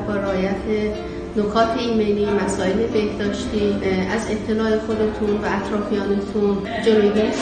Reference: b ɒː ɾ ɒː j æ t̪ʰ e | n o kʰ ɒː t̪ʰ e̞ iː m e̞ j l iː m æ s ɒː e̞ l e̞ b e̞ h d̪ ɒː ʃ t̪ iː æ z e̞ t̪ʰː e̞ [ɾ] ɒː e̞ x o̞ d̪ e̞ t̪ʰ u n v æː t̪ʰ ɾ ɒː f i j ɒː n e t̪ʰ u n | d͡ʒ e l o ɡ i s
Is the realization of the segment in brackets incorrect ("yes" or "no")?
yes